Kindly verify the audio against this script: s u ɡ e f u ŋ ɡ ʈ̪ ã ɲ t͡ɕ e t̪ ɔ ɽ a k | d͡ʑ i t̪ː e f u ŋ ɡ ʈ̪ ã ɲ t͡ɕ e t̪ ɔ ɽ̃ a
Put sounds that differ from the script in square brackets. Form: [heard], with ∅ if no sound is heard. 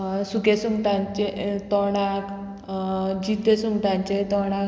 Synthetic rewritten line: s u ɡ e [s] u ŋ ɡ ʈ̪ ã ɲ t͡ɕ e t̪ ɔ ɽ a k | d͡ʑ i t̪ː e [s] u ŋ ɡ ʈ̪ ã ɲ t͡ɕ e t̪ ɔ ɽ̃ a

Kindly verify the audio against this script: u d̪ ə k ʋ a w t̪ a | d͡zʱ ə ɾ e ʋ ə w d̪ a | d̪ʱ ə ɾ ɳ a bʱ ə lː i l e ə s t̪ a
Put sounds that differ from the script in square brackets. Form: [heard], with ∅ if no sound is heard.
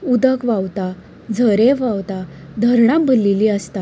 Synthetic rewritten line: u d̪ ə k ʋ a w t̪ a | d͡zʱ ə ɾ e ʋ [a] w [t̪] a | d̪ʱ ə ɾ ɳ a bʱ ə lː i l [i] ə s t̪ a

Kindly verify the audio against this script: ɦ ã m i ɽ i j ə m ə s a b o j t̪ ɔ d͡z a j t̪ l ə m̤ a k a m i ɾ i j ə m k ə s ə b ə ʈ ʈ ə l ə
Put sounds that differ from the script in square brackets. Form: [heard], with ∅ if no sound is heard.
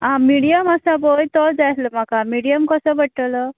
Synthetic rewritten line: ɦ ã m i ɽ i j ə m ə s a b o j t̪ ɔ d͡z a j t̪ l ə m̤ a k a m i [ɽ] i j ə m k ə s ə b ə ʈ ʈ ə l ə

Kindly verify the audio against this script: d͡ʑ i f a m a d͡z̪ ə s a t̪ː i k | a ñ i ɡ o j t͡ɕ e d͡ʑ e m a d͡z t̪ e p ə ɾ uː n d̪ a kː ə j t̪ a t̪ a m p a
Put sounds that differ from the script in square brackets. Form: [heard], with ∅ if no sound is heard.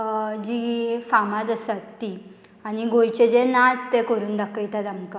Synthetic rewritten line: d͡ʑ i f a m a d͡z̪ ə s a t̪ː i [∅] | a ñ i ɡ o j t͡ɕ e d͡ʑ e [n] a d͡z t̪ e [k] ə ɾ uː n d̪ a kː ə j t̪ a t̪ a m [k] a

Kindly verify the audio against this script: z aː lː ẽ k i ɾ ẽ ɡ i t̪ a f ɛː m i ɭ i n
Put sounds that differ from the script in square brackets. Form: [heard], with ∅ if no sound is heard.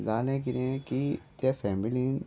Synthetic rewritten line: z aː [l] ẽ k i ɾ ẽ [k] i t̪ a f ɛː m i [l] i n

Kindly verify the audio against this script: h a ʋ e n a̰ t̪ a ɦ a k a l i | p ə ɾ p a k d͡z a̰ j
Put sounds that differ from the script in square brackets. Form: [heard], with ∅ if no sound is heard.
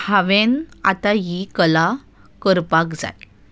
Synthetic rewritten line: h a ʋ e n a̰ t̪ a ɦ [i] k [ə] l [a] | [k] ə ɾ p a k d͡z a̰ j

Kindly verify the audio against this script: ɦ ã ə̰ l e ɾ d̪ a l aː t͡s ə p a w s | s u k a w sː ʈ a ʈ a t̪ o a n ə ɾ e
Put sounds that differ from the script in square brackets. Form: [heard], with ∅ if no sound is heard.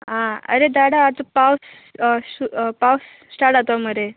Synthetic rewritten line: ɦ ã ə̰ [ɾ] e [∅] d̪ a [ɽ] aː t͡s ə p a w s | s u [p] a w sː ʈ a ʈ a t̪ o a [m] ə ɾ e

